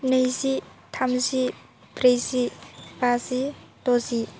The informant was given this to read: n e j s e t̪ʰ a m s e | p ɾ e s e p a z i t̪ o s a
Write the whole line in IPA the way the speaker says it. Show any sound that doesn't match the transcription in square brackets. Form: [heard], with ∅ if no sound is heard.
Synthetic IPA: n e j s [i] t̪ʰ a m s [i] | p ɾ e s [i] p a [s] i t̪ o s [i]